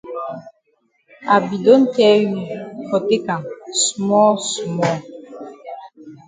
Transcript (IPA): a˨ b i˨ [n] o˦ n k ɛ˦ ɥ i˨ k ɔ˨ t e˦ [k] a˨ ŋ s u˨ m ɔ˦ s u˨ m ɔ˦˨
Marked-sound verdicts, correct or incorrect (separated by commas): incorrect, correct